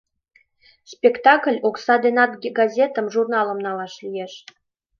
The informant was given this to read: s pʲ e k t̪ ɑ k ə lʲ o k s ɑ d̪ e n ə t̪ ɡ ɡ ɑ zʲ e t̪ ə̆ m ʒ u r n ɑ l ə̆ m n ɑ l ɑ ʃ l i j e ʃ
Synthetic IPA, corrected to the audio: s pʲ e k t̪ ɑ k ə lʲ o k s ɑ d̪ e n ɑ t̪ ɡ ɡ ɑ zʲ e t̪ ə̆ m ʒ u r n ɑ l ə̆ m n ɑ l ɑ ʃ l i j e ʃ